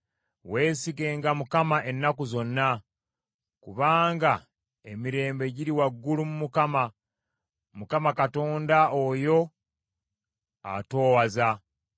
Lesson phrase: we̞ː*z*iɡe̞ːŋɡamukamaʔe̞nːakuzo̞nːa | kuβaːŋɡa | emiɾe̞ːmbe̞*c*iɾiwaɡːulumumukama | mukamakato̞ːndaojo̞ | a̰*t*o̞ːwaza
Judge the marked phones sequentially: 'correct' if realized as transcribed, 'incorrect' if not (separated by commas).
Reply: incorrect, incorrect, correct